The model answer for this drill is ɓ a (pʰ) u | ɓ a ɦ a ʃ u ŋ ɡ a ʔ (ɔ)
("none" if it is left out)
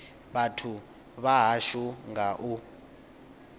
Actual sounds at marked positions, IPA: tʰ, u

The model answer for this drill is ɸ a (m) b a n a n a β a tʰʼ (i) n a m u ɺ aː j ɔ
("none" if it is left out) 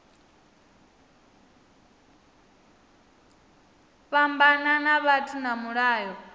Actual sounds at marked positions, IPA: m, i

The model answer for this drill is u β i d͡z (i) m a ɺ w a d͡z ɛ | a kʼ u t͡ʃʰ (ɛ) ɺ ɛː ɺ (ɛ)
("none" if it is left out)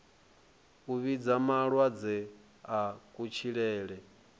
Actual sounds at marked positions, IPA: a, i, ɛ

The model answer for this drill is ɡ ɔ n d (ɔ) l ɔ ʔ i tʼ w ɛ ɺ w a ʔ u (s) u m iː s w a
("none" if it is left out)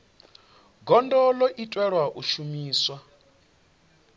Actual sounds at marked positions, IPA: ɔ, ʃ

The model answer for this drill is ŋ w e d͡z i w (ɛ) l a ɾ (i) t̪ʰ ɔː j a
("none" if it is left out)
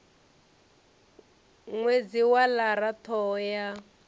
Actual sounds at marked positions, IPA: a, a

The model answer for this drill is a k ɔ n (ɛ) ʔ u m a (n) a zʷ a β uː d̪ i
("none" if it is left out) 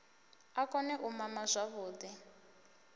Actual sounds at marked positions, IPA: ɛ, m

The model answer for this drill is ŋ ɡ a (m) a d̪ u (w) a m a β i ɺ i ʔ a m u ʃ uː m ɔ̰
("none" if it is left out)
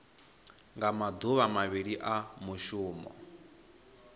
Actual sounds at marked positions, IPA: m, β

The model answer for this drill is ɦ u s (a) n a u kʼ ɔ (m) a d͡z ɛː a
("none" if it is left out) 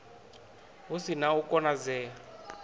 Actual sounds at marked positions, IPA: i, n

